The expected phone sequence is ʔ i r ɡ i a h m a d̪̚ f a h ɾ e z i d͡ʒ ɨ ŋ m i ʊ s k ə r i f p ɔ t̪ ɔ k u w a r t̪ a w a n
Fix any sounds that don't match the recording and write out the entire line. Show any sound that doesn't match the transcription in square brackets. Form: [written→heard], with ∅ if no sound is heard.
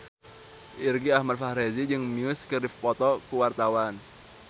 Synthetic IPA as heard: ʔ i r ɡ i a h m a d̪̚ f a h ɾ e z i d͡ʒ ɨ ŋ m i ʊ s k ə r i f p ɔ t̪ ɔ k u w a r t̪ a w a n